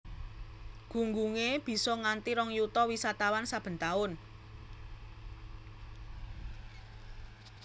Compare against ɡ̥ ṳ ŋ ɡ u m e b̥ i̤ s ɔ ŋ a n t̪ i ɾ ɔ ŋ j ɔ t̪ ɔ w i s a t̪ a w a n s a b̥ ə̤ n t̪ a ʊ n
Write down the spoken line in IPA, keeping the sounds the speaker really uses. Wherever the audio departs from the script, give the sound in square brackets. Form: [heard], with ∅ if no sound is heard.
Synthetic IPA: ɡ̥ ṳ ŋ ɡ u [ŋ] e b̥ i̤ s ɔ ŋ a n t̪ i ɾ ɔ ŋ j [u] t̪ ɔ w i s a t̪ a w a n s a b̥ ə̤ n t̪ a ʊ n